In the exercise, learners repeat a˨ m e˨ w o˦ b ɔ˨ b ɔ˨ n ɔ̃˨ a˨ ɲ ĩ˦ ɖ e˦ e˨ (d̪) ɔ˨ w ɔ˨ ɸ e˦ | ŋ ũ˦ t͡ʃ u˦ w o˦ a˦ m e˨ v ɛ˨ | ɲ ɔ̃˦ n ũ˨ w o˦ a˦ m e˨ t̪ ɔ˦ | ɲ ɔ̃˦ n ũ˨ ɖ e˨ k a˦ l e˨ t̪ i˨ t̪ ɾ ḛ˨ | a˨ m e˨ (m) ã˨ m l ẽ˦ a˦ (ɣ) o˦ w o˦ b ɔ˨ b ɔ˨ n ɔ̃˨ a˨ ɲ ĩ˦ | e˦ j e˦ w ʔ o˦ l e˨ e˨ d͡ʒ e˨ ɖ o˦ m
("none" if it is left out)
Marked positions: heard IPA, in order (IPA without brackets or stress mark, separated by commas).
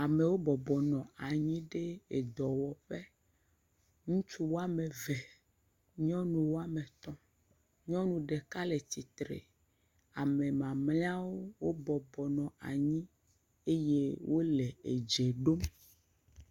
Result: d̪, m, w